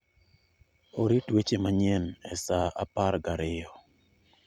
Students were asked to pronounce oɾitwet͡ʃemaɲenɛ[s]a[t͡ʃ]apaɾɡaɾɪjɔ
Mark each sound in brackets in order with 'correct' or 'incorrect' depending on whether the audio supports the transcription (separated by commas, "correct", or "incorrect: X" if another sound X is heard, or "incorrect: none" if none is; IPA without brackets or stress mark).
correct, incorrect: none